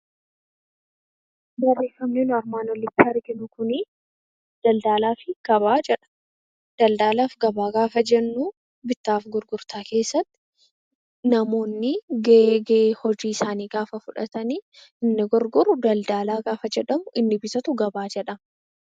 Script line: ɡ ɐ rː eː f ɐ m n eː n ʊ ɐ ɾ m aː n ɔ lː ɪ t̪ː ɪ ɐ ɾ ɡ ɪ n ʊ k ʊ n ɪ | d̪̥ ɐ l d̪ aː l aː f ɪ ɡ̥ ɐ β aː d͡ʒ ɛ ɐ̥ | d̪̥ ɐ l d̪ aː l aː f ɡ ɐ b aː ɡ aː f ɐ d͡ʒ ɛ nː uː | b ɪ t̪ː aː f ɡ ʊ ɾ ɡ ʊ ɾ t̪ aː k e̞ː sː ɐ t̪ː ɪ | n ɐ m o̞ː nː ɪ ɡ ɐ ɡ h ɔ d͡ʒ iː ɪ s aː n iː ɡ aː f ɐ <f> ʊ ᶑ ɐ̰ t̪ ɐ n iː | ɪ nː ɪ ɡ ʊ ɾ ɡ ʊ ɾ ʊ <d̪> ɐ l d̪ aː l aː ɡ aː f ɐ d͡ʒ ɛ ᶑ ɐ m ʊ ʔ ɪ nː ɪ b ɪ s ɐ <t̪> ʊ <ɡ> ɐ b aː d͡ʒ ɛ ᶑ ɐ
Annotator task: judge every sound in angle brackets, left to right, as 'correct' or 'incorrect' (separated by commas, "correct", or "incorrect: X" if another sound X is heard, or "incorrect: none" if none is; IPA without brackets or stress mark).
correct, correct, correct, correct